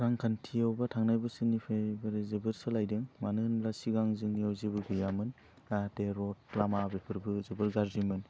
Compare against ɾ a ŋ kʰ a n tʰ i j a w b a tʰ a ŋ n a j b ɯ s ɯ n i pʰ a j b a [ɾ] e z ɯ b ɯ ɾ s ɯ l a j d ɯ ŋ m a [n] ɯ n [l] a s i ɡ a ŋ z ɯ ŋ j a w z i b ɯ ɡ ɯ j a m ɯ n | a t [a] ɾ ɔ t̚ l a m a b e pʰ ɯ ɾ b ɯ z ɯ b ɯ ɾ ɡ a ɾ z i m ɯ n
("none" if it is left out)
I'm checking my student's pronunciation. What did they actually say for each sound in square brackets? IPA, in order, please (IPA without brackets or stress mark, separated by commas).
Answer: ɾ, n, l, e